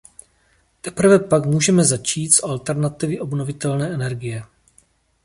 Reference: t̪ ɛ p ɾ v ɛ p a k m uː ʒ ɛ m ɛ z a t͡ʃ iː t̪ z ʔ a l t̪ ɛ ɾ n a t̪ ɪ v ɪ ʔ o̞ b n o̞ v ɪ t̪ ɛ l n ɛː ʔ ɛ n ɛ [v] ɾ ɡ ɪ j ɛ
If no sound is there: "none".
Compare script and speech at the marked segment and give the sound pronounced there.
none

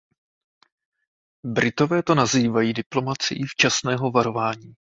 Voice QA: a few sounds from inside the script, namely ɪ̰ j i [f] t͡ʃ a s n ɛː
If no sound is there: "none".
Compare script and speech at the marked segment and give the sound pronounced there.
f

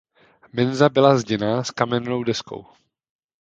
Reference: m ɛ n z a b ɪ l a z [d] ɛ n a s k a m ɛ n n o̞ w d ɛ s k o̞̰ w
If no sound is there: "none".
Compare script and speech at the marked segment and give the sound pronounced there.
ɟ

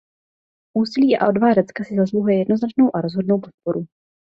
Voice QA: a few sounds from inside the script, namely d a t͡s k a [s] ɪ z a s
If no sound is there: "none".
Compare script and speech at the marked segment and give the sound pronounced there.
s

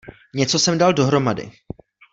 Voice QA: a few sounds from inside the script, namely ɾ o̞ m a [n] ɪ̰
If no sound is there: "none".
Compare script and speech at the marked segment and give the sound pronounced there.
d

